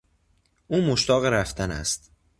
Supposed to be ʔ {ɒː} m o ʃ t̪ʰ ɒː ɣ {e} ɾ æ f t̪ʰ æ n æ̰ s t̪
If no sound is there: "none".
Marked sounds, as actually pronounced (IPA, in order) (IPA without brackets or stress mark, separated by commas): uː, e